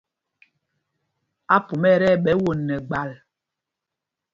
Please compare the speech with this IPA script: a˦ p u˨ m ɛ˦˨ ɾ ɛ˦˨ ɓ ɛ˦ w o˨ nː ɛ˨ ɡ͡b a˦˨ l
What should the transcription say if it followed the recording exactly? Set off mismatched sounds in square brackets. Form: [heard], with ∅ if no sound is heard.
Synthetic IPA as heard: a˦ p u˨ m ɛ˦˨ ɾ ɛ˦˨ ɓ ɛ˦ w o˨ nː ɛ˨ ɡ͡b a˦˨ l

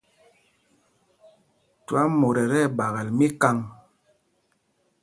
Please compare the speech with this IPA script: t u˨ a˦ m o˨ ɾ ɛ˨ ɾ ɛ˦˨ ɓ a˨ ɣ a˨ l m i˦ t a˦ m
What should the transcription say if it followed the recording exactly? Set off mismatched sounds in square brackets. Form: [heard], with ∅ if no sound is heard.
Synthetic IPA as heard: t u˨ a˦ m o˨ ɾ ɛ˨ ɾ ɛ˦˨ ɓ a˨ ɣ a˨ l m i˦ [k] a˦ [ŋ]

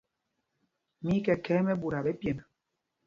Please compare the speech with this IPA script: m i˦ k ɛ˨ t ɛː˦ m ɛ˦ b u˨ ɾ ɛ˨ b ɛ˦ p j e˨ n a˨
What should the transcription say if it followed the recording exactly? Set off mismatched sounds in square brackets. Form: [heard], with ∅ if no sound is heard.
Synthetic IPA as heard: m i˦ k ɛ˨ [k] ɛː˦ m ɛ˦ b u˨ ɾ [a˨] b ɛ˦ p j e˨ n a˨

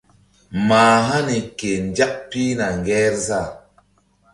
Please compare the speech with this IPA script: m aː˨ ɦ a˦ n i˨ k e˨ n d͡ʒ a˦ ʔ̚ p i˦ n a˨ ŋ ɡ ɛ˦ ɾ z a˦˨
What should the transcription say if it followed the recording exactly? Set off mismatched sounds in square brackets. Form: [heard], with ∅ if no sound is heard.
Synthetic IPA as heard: m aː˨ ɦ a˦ n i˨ k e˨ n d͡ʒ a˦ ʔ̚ p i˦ n a˨ ŋ ɡ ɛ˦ ɾ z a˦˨

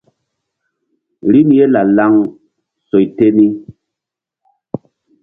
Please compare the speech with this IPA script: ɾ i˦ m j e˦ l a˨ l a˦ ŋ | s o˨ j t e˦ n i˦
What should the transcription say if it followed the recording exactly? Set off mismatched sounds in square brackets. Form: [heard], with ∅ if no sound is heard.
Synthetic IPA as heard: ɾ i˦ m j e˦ l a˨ l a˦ ŋ | s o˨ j t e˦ n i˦

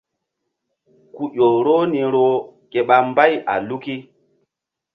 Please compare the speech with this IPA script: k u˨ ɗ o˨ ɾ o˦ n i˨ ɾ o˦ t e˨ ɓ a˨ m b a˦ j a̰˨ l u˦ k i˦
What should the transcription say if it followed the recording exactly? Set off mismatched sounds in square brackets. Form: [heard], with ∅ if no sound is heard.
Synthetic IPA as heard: k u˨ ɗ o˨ ɾ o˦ n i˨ ɾ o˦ [k] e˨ ɓ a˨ m b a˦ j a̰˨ l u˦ k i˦

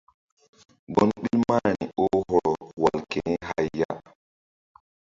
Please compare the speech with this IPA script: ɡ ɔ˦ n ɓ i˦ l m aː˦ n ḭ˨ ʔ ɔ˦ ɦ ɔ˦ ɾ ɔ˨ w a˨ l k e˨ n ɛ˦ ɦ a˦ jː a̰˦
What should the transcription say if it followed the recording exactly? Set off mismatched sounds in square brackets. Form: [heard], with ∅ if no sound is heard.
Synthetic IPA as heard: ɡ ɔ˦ n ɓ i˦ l m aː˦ n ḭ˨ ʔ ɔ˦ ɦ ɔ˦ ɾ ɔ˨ w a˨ l k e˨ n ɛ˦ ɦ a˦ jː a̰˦

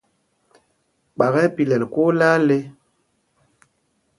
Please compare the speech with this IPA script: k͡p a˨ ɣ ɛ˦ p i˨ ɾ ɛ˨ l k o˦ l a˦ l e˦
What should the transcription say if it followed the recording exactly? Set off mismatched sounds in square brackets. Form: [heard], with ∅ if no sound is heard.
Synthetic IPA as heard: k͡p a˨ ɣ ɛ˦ p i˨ [l] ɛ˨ l k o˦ l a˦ l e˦

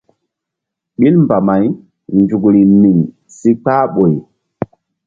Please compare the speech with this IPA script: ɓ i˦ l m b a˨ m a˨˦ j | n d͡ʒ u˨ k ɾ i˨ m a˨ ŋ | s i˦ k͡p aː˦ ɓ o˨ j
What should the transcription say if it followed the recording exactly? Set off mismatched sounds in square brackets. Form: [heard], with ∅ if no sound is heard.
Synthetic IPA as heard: ɓ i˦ l m b a˨ m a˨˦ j | n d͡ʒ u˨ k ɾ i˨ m [i˨] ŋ | s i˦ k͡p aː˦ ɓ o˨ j

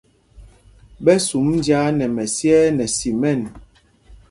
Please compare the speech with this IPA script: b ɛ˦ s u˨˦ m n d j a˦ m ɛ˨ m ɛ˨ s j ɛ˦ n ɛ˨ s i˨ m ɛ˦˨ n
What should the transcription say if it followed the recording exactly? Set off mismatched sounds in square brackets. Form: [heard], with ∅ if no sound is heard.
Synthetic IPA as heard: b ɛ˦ s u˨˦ m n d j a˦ [n] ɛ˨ m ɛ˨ s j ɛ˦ n ɛ˨ s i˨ m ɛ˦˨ n

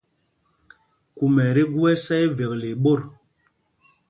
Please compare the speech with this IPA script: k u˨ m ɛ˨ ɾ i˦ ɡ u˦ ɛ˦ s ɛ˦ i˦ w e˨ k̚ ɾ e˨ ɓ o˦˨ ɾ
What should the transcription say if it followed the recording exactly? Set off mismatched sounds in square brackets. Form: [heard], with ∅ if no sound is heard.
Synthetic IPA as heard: k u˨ m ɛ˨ ɾ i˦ ɡ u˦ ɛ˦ s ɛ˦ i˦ [v] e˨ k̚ [l] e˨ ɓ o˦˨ ɾ

